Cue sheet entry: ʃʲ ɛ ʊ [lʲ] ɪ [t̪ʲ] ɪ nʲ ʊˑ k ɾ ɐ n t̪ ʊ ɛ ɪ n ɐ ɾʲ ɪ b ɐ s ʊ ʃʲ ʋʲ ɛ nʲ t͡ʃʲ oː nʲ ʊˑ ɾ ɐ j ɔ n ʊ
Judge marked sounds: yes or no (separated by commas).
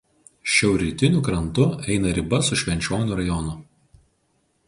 no, yes